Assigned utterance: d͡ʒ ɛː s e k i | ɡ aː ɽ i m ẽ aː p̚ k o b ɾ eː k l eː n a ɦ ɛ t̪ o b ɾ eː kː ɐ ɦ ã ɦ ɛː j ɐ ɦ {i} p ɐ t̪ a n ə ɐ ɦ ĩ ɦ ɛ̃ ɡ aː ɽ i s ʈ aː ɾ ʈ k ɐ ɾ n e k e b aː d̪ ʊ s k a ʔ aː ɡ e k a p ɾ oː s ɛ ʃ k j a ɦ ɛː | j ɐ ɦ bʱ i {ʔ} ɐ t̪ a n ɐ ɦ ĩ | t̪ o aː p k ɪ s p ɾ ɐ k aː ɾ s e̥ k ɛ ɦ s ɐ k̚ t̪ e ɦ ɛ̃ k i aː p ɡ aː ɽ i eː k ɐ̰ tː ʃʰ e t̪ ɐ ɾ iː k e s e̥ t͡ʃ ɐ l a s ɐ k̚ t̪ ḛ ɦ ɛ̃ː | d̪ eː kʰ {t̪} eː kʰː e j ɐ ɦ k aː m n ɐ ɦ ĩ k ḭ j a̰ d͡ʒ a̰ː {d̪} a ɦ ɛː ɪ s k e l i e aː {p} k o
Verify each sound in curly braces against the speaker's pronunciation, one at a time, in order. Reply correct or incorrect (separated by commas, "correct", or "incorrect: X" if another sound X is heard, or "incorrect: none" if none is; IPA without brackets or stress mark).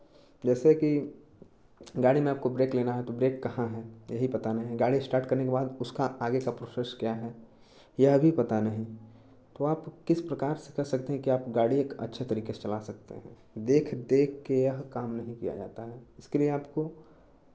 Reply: correct, incorrect: p, incorrect: d̪, incorrect: t̪, correct